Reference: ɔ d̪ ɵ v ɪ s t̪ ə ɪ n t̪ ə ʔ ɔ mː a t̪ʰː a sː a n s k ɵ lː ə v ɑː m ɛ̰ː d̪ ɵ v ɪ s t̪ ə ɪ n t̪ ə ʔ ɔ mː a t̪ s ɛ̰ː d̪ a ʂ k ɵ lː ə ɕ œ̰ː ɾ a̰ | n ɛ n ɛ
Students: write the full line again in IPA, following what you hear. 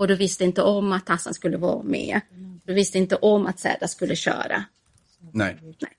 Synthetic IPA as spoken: ɔ d̪ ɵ v ɪ s t̪ ə ɪ n t̪ ə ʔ ɔ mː a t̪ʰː a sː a n s k ɵ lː ə v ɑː m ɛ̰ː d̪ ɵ v ɪ s t̪ ə ɪ n t̪ ə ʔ ɔ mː a t̪ s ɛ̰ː d̪ a s k ɵ lː ə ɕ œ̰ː ɾ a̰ | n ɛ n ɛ